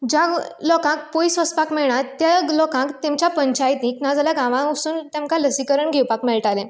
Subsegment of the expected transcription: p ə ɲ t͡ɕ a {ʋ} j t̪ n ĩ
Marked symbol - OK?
no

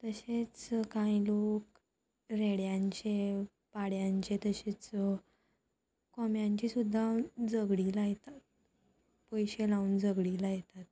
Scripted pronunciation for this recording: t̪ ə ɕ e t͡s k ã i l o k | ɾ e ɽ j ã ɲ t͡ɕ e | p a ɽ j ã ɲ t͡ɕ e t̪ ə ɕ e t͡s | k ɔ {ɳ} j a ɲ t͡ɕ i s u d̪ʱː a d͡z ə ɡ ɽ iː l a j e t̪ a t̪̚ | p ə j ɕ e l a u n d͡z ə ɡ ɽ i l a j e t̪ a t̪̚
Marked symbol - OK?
no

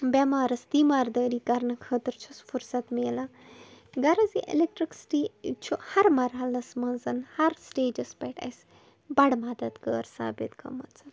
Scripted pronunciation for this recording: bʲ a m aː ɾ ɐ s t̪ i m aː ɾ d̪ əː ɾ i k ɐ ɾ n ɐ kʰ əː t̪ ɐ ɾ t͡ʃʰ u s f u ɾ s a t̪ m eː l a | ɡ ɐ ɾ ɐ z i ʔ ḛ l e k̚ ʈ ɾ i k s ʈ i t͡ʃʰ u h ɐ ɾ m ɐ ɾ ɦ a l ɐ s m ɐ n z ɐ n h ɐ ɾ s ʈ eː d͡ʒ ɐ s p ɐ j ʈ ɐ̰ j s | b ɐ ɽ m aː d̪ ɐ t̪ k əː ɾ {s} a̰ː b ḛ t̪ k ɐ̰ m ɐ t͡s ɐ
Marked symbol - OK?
yes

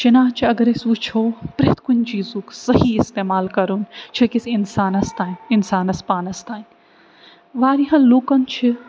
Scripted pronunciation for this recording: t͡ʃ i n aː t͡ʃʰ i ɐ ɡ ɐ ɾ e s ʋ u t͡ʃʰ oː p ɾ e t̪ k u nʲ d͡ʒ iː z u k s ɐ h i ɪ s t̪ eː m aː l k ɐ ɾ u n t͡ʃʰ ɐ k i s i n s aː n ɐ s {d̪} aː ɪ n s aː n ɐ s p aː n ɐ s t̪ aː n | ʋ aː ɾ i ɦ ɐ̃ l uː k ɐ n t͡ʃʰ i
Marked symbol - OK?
no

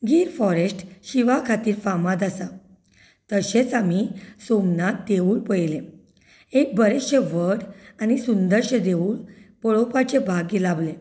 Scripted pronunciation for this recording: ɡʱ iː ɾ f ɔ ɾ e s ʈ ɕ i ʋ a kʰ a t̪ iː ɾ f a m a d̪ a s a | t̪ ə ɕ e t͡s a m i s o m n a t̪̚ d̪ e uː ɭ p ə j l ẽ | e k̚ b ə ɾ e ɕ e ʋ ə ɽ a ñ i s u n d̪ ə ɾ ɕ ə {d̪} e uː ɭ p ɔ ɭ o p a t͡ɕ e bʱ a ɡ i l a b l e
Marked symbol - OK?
yes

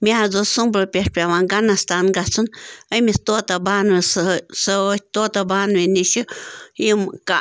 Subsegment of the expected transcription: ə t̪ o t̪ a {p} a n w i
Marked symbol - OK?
no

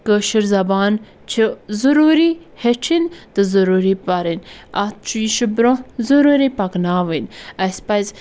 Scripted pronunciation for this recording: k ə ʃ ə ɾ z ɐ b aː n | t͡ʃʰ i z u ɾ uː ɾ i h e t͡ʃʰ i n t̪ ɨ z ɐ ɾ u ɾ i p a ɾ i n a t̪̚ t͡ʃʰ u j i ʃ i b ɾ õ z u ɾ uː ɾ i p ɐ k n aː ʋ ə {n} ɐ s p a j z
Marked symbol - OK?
yes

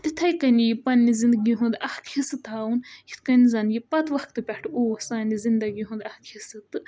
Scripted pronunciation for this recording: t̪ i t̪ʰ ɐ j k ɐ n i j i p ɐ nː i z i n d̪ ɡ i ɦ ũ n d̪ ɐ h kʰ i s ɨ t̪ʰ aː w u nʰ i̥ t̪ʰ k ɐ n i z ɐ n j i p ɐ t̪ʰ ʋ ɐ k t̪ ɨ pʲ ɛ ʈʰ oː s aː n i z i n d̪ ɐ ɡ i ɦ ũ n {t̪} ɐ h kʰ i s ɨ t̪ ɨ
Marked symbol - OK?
no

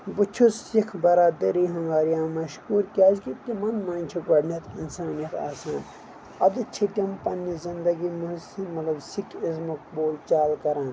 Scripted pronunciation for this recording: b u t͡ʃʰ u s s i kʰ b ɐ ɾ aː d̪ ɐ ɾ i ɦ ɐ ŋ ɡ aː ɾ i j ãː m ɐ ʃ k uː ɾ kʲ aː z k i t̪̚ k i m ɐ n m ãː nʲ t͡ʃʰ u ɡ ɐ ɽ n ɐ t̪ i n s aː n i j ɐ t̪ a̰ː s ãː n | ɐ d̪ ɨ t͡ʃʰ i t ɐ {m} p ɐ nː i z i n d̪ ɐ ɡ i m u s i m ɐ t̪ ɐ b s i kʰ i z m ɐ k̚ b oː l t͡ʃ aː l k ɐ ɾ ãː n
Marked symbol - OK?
yes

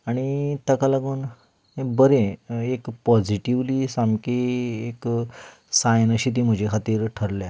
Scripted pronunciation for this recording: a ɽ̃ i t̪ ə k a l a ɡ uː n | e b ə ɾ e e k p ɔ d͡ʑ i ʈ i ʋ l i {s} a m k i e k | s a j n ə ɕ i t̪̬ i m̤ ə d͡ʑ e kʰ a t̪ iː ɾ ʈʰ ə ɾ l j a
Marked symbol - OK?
yes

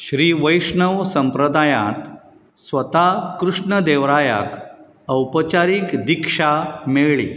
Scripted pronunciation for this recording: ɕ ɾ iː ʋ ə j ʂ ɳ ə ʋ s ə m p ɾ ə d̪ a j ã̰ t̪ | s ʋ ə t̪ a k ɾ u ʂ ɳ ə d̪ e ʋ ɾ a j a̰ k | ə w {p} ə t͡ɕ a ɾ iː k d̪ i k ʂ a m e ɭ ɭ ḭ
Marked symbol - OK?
yes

